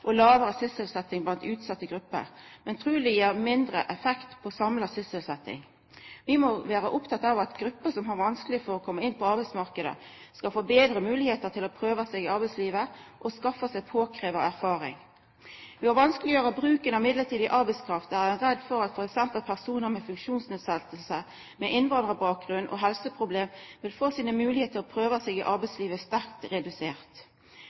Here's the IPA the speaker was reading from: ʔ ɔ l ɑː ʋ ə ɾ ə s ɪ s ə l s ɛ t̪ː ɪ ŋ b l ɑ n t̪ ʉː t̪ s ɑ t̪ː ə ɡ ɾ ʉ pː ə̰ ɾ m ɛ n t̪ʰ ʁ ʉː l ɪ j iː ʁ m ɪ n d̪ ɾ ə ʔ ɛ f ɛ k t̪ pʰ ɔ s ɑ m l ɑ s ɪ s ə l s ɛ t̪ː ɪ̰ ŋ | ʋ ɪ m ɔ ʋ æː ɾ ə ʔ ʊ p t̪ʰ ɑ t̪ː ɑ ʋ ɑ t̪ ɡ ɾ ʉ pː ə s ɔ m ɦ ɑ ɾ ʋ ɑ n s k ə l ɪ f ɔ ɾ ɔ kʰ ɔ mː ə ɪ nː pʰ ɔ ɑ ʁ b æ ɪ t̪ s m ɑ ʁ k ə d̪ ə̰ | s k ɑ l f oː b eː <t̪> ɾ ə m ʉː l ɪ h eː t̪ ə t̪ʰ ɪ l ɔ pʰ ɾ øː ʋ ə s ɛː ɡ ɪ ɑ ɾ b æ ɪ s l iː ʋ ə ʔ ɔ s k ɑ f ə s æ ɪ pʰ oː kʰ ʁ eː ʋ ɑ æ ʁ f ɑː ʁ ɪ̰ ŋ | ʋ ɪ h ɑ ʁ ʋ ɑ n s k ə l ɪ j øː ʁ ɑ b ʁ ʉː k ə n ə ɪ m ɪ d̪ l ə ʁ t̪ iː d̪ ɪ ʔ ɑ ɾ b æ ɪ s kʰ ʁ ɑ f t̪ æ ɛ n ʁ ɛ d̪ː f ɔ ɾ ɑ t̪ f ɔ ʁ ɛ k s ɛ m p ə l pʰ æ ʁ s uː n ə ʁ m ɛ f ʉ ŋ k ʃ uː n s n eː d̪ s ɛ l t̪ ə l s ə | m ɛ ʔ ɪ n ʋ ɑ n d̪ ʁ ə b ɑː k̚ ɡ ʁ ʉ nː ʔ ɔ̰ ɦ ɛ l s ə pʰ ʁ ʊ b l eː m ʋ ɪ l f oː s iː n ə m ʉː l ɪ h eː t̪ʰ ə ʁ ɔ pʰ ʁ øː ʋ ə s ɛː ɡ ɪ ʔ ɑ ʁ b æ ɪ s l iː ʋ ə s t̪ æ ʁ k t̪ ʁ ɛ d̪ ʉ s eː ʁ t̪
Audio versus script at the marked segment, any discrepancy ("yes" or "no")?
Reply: yes